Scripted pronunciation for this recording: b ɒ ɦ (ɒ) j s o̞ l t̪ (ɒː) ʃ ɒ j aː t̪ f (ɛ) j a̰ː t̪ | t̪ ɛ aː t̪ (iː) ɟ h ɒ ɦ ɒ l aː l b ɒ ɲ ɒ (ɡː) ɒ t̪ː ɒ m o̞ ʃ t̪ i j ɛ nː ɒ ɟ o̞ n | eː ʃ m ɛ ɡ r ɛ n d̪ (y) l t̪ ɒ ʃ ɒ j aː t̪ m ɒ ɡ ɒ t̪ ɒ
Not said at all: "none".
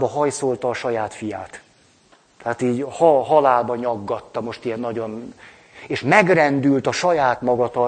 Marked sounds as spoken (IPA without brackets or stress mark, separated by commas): ɒ, ɒː, i, iː, ɡː, y